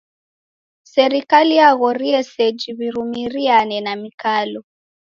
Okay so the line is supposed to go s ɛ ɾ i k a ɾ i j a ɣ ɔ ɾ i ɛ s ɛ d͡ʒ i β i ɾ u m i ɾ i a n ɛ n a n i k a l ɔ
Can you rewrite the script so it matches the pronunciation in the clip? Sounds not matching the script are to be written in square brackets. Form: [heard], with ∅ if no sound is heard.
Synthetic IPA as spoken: s ɛ ɾ i k a [l] i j a ɣ ɔ ɾ i ɛ s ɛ d͡ʒ i β i ɾ u m i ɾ i a n ɛ n a [m] i k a l ɔ